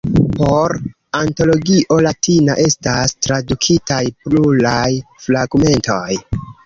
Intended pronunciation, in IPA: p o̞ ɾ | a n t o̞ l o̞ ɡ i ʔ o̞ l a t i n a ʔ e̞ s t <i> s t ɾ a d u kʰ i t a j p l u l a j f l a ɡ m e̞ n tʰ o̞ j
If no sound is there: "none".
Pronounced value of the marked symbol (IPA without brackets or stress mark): a